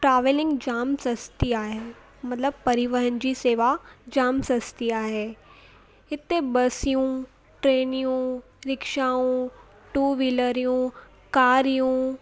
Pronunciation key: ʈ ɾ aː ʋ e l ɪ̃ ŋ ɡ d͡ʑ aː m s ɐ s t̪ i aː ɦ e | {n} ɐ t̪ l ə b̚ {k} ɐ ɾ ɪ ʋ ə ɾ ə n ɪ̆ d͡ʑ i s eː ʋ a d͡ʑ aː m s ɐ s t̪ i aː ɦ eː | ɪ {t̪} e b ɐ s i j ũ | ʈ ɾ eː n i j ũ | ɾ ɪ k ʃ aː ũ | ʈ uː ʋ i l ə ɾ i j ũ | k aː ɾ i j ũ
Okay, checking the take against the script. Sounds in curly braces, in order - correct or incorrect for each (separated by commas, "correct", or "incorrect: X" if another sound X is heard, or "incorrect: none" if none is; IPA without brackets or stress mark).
incorrect: m, incorrect: p, correct